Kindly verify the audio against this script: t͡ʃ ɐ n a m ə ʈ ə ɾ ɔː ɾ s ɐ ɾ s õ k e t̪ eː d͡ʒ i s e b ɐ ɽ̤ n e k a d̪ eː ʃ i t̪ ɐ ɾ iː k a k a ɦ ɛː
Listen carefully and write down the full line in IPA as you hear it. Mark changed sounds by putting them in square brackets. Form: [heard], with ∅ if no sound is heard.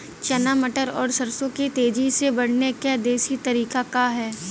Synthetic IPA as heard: t͡ʃ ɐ n a m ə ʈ ə ɾ ɔː ɾ s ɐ ɾ s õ k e t̪ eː d͡ʒ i s e b ɐ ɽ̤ n e k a d̪ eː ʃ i t̪ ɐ ɾ iː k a k a ɦ ɛː